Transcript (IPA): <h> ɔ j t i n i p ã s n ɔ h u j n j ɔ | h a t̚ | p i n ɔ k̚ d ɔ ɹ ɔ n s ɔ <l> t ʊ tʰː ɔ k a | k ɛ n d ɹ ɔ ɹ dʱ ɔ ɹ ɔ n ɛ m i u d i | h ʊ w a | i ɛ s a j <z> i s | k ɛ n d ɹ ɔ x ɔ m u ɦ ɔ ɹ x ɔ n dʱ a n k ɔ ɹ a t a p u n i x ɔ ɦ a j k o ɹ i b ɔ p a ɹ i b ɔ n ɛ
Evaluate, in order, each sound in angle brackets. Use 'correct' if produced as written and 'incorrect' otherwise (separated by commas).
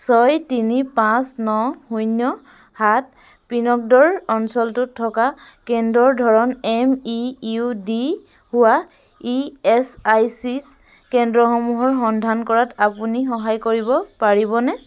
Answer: incorrect, correct, incorrect